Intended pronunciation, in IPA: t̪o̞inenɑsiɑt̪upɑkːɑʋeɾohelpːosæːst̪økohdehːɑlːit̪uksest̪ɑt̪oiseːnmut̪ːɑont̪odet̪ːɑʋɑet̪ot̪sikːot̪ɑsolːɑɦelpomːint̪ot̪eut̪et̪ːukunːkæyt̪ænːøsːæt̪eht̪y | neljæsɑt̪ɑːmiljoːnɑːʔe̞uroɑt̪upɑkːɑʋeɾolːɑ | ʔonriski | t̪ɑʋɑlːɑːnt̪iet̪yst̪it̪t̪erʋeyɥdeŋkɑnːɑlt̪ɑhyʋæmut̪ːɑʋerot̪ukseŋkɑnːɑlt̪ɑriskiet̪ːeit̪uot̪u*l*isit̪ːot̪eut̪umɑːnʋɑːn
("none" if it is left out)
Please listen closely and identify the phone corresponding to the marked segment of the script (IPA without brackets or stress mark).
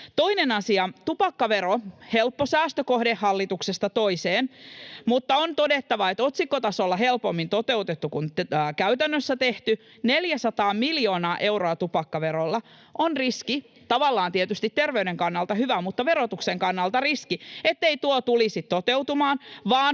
l